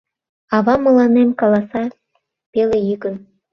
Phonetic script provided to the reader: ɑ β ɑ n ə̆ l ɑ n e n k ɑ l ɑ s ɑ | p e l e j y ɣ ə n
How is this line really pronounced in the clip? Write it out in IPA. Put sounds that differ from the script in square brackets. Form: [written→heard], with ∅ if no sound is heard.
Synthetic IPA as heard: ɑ β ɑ [n→m] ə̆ l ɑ n e [n→m] k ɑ l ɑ s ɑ | p e l e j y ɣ ə n

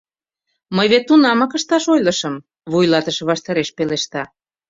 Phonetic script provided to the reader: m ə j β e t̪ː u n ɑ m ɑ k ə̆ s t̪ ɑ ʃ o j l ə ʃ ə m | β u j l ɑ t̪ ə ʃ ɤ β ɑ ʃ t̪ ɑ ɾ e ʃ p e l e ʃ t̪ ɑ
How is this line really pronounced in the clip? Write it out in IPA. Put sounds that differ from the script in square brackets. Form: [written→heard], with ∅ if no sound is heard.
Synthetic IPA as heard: m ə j β e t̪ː u n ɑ m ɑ k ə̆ [s→ʃ] t̪ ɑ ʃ o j l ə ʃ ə m | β u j l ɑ t̪ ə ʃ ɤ β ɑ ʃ t̪ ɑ ɾ e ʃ p e l e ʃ t̪ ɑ

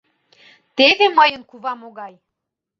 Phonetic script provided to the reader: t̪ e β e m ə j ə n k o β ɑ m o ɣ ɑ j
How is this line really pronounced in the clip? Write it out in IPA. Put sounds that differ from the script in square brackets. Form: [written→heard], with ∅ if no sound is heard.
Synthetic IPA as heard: t̪ e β e m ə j ə n k [o→u] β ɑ m o ɣ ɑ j

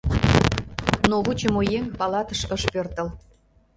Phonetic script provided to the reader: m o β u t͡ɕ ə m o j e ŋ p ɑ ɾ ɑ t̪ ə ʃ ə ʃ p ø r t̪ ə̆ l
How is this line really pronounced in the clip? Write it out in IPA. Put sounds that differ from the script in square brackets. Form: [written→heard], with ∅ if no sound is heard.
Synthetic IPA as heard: [m→n] o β u t͡ɕ ə m o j e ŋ p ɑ [ɾ→l] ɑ t̪ ə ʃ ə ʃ p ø r t̪ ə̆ l

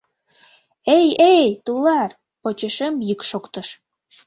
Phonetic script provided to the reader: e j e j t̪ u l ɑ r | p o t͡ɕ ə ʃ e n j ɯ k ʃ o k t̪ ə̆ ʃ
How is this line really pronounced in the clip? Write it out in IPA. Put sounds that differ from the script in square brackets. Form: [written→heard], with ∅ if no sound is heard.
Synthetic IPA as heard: e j e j t̪ u l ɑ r | p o t͡ɕ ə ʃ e [n→m] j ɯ k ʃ o k t̪ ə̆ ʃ

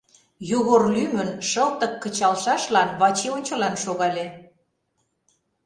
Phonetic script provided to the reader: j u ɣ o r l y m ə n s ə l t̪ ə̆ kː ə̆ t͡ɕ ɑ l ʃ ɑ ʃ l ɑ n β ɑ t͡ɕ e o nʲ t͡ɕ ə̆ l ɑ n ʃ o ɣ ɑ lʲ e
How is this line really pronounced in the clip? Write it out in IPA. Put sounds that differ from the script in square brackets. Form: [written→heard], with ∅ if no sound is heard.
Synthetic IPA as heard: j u ɣ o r l y m ə n [s→ʃ] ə l t̪ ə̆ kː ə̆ t͡ɕ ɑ l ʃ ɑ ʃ l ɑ n β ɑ t͡ɕ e o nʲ t͡ɕ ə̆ l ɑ n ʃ o ɣ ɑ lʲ e

